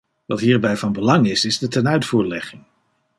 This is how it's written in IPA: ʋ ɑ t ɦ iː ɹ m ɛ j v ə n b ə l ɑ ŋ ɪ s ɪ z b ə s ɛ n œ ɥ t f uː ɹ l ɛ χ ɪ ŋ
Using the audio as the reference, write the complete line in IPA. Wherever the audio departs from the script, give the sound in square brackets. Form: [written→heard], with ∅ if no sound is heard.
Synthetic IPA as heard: ʋ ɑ t ɦ iː ɹ [m→b] ɛ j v [ə→ɑ] n b ə l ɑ ŋ ɪ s ɪ z [b→d] ə [s→t] ɛ n œ ɥ t f uː ɹ l ɛ χ ɪ ŋ